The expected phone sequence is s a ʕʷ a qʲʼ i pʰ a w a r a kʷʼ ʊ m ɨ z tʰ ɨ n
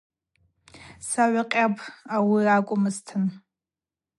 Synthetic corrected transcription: s a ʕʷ a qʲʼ a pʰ a w i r a kʷʼ ʊ m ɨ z tʰ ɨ n

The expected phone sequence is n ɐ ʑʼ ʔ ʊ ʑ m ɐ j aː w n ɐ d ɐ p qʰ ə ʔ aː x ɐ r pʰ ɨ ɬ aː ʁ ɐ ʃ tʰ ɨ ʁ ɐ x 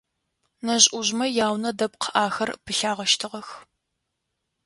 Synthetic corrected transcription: n ɐ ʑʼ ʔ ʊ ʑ m ɐ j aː w n ɐ d ɐ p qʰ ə ʔ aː x ɐ r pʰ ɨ ɬ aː ʁ ɐ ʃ tʰ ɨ ʁ ɐ x

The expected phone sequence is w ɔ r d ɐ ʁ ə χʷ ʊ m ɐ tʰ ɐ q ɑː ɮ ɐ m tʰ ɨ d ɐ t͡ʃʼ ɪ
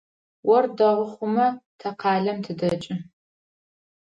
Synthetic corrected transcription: w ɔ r d ɐ ʁ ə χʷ ʊ m ɐ tʰ ɐ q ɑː ɮ ɐ m tʰ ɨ d ɐ t͡ʃʼ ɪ

